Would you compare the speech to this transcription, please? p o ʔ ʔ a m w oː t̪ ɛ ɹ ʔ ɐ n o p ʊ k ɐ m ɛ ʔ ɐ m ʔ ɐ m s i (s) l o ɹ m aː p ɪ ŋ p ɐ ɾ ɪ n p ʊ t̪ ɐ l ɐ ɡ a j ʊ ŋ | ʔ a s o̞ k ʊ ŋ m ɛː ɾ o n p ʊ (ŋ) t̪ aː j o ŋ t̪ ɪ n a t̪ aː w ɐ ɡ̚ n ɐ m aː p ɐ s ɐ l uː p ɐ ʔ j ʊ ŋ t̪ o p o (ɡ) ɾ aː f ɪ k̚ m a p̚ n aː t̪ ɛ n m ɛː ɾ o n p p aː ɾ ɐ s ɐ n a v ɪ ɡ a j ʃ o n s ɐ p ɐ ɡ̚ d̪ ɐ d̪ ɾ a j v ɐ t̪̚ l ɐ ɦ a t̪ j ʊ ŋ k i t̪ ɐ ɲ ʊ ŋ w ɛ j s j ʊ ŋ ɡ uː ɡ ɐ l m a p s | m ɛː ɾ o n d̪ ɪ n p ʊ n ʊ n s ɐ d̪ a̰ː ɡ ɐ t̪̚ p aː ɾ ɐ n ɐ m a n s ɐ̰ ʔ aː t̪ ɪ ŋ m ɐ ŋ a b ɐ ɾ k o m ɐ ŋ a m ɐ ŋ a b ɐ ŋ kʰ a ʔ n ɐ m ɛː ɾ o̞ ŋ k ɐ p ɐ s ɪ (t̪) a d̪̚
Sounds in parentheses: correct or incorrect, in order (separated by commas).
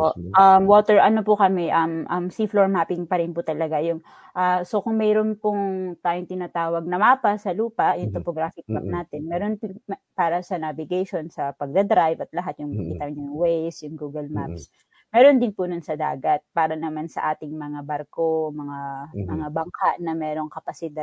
incorrect, correct, correct, incorrect